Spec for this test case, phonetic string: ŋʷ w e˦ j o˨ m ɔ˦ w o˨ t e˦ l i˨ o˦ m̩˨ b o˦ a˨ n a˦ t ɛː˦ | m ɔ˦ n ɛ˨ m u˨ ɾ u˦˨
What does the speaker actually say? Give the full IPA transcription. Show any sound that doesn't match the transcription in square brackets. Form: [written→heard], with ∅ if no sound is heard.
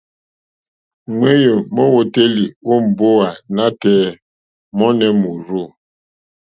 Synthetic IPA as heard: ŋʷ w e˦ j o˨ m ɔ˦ w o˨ t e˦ l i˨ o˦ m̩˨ b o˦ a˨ n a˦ t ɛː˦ | m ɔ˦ n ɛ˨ m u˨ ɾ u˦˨